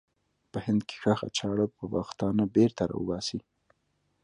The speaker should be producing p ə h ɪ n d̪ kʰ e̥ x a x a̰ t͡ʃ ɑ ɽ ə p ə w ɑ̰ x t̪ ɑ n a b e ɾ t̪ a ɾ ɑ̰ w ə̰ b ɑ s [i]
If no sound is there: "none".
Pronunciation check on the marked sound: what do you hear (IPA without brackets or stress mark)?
i